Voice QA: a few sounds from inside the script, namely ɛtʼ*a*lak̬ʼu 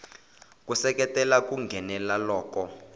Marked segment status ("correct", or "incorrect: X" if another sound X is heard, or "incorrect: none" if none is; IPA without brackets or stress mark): incorrect: ɛ